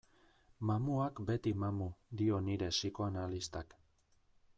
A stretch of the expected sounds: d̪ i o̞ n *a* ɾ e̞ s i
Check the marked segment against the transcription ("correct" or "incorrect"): incorrect